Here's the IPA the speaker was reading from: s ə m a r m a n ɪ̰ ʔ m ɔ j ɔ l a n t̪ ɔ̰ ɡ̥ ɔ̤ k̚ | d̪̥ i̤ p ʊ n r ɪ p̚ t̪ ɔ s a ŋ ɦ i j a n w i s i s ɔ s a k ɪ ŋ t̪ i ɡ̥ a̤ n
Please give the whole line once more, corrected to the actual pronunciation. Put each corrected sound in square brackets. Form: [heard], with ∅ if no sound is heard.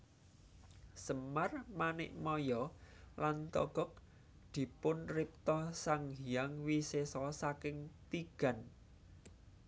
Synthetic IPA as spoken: s ə m a r m a n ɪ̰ ʔ m ɔ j ɔ l a n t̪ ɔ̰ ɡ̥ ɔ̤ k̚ | d̪̥ i̤ p ʊ n r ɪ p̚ t̪ ɔ s a ŋ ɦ i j a [ŋ] w i s [e] s ɔ s a k ɪ ŋ t̪ i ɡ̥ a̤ n